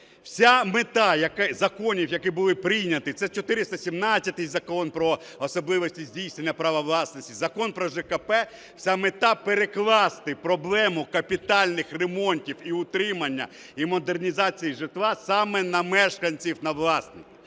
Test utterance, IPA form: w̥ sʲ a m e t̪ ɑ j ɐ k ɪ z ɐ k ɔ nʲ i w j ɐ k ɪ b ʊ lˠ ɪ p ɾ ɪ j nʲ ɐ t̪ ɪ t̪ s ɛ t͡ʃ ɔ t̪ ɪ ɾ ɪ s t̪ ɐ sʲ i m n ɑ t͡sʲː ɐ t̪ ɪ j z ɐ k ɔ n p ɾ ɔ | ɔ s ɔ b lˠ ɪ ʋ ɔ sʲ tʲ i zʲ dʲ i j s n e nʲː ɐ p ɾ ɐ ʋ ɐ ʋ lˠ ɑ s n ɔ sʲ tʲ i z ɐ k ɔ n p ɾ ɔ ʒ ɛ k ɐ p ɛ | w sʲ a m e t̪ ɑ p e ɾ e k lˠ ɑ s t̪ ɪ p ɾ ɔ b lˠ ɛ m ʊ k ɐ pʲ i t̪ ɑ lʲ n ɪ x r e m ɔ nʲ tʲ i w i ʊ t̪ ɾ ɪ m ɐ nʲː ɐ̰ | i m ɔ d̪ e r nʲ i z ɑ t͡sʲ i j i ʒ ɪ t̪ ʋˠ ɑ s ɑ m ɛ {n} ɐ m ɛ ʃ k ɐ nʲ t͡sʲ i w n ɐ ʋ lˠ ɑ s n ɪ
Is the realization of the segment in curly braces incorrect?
no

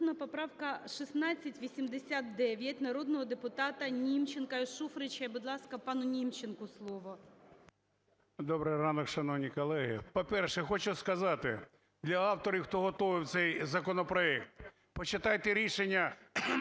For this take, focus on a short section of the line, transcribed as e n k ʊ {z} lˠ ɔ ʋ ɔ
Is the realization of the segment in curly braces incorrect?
yes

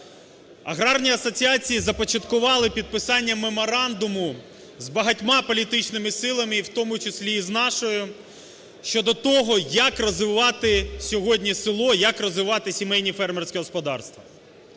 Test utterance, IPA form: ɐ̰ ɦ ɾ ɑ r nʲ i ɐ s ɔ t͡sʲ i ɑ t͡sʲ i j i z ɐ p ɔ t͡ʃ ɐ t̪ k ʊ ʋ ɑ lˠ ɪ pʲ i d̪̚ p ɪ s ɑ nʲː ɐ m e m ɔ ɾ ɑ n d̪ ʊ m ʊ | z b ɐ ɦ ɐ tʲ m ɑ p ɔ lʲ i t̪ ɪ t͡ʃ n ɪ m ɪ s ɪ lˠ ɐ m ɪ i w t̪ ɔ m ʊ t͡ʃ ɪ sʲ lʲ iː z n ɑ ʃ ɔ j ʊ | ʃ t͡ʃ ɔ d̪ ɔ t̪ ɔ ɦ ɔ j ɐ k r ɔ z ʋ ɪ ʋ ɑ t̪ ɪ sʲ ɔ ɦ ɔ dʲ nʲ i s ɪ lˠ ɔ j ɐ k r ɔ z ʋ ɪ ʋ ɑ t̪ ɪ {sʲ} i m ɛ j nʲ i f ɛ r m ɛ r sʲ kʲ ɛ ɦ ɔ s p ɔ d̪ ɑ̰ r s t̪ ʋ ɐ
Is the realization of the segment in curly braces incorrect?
no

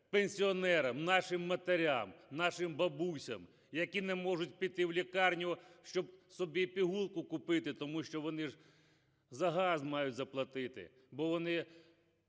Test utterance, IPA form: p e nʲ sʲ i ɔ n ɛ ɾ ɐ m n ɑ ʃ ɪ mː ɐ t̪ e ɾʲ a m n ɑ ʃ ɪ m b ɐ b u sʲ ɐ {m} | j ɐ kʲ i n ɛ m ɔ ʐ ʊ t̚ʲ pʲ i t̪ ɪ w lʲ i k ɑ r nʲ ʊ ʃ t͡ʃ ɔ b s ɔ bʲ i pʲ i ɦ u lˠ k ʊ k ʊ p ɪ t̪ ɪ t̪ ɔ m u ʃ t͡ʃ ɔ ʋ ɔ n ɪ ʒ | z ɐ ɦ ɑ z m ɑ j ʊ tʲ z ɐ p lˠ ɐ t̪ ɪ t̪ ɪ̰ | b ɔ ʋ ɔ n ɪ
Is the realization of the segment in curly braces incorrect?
no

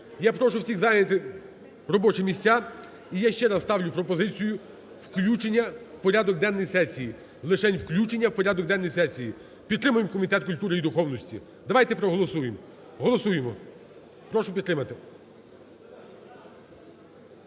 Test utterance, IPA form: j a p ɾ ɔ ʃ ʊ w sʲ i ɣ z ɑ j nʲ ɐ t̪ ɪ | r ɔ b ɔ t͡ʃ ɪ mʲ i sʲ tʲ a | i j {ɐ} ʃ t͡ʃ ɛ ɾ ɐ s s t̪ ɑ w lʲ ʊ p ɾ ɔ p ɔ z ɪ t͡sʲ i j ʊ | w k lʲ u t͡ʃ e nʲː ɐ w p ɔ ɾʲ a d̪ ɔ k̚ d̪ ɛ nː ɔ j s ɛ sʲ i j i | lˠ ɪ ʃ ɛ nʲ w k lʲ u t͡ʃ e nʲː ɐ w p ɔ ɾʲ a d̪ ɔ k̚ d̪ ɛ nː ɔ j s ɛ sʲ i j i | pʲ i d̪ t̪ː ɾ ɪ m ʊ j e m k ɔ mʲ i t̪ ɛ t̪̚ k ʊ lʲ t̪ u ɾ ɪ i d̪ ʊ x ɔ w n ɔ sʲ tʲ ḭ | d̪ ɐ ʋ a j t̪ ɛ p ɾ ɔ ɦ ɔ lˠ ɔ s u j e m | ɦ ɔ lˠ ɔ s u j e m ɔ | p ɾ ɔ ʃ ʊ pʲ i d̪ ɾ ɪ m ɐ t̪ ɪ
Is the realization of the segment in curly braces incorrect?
yes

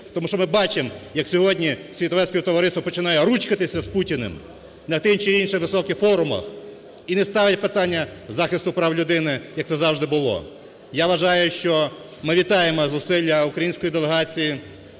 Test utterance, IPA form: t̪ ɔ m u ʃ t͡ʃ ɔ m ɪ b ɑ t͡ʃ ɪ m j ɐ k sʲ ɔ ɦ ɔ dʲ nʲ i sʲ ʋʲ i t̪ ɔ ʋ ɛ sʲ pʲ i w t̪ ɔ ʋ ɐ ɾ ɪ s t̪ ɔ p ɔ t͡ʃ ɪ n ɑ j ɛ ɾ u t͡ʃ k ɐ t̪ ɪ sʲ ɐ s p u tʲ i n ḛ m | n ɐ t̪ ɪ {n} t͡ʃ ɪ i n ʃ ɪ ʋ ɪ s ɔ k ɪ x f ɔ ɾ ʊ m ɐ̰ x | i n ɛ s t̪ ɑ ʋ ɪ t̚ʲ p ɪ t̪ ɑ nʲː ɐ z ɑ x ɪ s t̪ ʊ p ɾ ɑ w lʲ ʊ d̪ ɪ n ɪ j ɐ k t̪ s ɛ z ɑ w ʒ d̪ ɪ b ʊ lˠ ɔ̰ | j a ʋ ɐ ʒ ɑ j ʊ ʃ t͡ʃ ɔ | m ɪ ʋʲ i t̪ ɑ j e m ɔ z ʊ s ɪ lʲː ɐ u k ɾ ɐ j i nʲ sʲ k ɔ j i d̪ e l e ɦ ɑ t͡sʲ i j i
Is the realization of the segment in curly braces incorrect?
no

